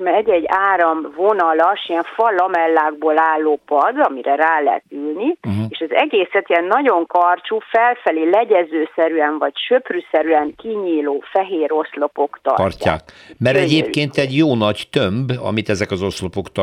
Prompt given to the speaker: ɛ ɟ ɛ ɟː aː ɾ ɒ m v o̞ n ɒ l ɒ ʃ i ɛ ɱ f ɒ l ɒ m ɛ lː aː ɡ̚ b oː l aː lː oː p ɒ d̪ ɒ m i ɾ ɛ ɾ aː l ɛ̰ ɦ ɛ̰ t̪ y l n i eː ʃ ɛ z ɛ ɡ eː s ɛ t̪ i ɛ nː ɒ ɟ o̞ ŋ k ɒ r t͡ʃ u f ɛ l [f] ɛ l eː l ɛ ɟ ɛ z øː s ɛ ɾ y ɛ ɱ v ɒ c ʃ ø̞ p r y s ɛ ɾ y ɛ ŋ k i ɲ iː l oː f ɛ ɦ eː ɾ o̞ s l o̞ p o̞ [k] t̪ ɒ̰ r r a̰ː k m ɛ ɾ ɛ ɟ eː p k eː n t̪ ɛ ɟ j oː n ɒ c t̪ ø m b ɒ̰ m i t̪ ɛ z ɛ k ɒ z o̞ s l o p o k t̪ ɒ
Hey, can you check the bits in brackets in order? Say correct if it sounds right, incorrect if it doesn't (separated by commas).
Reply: correct, correct